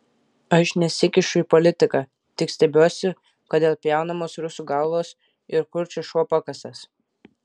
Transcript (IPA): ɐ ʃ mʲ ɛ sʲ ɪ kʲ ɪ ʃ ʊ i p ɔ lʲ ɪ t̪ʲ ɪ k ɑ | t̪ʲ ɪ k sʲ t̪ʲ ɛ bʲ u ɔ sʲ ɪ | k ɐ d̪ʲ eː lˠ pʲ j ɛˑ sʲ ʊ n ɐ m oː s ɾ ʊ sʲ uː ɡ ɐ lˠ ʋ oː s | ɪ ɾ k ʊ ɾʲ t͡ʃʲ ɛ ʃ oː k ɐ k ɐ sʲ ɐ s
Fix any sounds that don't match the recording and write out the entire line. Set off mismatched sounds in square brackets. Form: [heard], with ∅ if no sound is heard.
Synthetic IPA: ɐ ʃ [nʲ] ɛ sʲ ɪ kʲ ɪ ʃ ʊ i p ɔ lʲ ɪ t̪ʲ ɪ k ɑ | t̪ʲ ɪ k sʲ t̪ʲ ɛ bʲ u ɔ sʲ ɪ | k ɐ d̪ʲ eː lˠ pʲ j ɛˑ [∅] ʊ n ɐ m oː s ɾ ʊ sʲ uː ɡ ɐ lˠ ʋ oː s | ɪ ɾ k ʊ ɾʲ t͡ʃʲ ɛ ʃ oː [p] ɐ k ɐ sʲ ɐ s

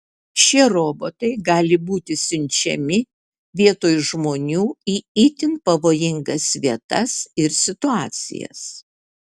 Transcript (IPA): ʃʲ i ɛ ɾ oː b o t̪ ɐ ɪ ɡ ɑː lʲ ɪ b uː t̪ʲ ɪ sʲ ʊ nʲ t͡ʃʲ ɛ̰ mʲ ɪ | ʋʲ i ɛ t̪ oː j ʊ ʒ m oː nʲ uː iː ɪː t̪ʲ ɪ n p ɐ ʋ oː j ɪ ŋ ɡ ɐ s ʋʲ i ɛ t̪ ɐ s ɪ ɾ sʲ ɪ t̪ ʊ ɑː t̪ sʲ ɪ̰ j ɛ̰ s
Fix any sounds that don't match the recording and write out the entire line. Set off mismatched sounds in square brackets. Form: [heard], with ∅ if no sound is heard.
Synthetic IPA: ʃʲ i ɛ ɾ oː b o t̪ ɐ ɪ ɡ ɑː lʲ ɪ b uː t̪ʲ ɪ sʲ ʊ nʲ t͡ʃʲ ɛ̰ mʲ ɪ | ʋʲ i ɛ t̪ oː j ʊ ʒ m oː nʲ uː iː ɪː t̪ʲ ɪ n p ɐ ʋ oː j ɪ ŋ ɡ ɐ s ʋʲ i ɛ t̪ ɐ s ɪ ɾ sʲ ɪ t̪ ʊ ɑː t̪ sʲ ɪ̰ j ɛ̰ s

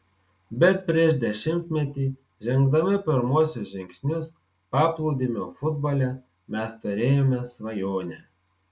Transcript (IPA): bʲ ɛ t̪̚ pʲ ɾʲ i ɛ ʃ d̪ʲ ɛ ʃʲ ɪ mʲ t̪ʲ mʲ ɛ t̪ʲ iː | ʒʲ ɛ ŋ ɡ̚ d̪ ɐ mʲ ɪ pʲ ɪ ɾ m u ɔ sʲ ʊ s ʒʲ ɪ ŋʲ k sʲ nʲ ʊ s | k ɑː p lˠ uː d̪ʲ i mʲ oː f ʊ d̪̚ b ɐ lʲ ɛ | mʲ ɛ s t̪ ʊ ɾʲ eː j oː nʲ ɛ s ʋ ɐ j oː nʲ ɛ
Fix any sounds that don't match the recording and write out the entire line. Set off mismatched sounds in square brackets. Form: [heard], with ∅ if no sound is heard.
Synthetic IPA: bʲ ɛ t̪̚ pʲ ɾʲ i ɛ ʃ d̪ʲ ɛ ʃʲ ɪ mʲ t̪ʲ mʲ ɛ t̪ʲ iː | ʒʲ ɛ ŋ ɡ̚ d̪ ɐ mʲ ɪ pʲ ɪ ɾ m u ɔ sʲ ʊ s ʒʲ ɪ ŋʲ k sʲ nʲ ʊ s | [p] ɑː p lˠ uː d̪ʲ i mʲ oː f ʊ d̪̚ b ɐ lʲ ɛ | mʲ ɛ s t̪ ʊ ɾʲ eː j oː [mʲ] ɛ s ʋ ɐ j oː nʲ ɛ

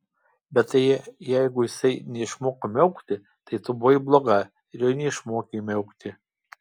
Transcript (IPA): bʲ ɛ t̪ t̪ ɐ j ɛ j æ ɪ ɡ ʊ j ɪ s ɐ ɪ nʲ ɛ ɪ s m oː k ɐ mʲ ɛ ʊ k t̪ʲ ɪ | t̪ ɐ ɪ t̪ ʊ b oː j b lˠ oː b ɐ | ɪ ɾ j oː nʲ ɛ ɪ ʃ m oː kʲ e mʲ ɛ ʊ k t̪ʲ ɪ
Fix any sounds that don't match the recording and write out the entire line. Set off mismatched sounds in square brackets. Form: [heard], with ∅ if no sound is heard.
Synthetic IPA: bʲ ɛ t̪ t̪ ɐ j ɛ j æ ɪ ɡ ʊ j ɪ s ɐ ɪ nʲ ɛ ɪ [ʃ] m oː k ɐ mʲ ɛ ʊ k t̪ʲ ɪ | t̪ ɐ ɪ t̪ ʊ b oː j b lˠ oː [ɡ] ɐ | ɪ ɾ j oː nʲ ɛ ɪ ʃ m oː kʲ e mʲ ɛ ʊ k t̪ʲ ɪ

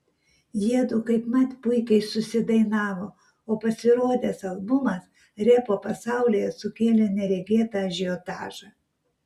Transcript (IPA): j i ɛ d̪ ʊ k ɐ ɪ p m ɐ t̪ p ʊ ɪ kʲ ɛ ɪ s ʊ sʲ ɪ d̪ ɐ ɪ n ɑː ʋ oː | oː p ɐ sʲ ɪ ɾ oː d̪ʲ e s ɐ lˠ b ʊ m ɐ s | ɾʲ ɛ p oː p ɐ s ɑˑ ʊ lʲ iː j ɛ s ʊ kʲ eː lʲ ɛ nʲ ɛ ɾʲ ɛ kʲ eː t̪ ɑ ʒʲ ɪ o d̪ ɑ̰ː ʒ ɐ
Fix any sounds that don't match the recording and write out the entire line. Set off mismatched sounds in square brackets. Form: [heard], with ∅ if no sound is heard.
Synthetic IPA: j i ɛ d̪ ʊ k ɐ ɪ p m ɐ t̪ p ʊ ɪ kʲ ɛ ɪ s ʊ sʲ ɪ d̪ ɐ ɪ n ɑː ʋ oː | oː p ɐ sʲ ɪ ɾ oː d̪ʲ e s ɐ lˠ b ʊ m ɐ s | ɾʲ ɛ p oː p ɐ s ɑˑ ʊ lʲ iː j ɛ s ʊ kʲ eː lʲ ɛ nʲ ɛ ɾʲ ɛ [ɡʲ] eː t̪ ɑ ʒʲ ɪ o [t̪] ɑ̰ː ʒ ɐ

